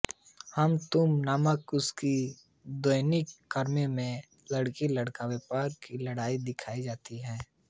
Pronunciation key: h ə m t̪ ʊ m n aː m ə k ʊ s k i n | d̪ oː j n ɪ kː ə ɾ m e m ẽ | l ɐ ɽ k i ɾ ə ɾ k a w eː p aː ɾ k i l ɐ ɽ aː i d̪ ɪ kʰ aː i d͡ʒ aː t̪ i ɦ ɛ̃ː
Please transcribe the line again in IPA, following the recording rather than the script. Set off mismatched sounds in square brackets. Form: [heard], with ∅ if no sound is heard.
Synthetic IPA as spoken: h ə m t̪ ʊ m n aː m ə k ʊ s k i [∅] | d̪ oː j n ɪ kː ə ɾ m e m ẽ | l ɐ ɽ k i [l] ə [ɽ] k a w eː p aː ɾ k i l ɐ ɽ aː i d̪ ɪ kʰ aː i d͡ʒ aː t̪ i ɦ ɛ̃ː